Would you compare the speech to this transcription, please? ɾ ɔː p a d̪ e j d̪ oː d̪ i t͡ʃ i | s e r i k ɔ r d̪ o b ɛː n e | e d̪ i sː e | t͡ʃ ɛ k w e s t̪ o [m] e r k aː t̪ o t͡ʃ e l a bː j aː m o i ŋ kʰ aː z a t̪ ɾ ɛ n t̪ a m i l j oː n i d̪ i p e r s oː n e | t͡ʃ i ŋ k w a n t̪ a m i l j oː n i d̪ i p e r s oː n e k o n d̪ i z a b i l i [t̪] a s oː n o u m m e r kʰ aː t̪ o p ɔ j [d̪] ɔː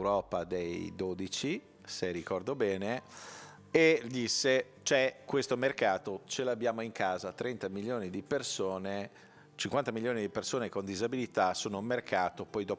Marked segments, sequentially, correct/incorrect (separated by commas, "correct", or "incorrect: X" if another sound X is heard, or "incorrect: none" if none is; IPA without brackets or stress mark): correct, correct, correct